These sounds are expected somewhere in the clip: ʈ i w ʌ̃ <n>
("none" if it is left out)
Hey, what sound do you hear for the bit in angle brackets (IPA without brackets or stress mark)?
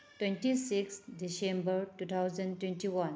n